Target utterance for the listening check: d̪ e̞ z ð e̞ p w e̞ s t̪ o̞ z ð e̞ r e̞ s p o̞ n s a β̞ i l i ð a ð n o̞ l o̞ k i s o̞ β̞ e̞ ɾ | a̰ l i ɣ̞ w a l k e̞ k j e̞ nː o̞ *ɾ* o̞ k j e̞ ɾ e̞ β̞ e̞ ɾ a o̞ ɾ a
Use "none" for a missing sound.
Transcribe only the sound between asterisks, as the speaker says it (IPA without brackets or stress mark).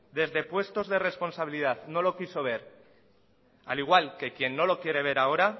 l